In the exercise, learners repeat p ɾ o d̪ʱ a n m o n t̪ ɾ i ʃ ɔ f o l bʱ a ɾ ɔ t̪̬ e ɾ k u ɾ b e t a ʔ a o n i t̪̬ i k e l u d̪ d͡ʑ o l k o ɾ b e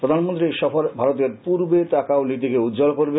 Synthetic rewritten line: p ɾ o d̪ʱ a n m o n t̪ ɾ i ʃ ɔ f o ɾ bʱ a ɾ o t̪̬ e ɾ p u ɾ b e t a k a o n i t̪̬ i k e u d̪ d͡ʑ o l k o ɾ b e